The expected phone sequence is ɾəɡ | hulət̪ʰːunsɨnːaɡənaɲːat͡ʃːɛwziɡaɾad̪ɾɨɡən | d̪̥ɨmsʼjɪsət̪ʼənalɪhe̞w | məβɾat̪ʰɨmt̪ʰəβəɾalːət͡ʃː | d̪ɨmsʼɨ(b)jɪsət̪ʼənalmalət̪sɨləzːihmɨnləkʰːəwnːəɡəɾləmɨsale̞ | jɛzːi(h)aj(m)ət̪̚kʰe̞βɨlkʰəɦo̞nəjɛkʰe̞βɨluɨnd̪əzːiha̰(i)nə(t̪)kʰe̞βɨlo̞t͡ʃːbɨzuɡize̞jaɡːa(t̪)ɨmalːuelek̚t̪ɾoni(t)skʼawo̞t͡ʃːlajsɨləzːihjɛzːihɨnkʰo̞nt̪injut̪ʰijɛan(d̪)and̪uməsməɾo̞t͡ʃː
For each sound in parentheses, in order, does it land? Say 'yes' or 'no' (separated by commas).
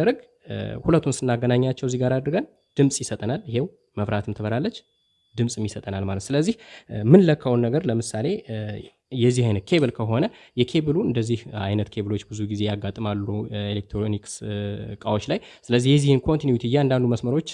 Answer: no, yes, no, no, yes, no, no, yes